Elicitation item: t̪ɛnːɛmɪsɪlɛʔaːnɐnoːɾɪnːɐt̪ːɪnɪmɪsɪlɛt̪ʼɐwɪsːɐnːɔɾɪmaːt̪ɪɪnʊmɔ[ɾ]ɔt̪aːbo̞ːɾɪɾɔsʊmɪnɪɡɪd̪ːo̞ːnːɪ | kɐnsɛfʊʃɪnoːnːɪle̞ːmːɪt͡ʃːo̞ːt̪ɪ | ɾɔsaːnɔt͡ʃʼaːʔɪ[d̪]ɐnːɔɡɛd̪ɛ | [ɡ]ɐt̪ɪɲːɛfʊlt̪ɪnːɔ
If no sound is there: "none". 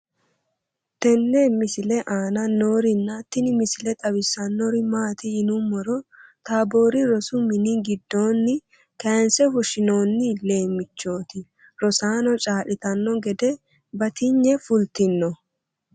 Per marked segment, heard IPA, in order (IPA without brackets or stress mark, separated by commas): ɾ, t̪, b